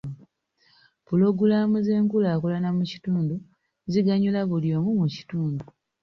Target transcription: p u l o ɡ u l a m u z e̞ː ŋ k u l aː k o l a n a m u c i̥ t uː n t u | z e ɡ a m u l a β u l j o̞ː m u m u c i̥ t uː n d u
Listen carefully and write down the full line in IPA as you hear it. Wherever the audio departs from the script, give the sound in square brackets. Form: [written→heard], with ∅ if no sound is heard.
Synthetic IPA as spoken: p u l o ɡ u l a m u z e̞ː ŋ k u l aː k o l a n a m u c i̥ t uː n [t→d] u | z [e→i] ɡ a [m→ɲ] u l a β u l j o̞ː m u m u c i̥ t uː n d u